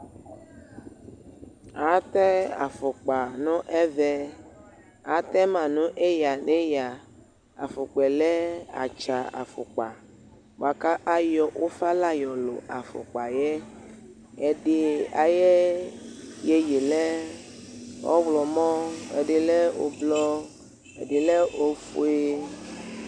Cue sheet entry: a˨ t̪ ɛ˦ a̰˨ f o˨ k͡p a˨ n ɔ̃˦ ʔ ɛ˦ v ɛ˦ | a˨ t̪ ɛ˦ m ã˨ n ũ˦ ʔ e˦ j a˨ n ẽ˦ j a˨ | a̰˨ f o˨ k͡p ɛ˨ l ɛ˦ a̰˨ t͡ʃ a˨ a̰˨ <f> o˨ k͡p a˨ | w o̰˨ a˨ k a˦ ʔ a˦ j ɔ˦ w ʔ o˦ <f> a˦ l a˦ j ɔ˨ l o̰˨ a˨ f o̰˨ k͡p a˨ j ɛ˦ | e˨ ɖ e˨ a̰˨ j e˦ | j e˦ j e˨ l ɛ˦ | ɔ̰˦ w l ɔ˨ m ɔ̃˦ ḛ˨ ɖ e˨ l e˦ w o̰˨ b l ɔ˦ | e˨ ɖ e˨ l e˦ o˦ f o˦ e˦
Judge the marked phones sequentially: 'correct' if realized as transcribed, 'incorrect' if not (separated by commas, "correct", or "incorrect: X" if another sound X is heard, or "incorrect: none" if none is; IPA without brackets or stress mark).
correct, correct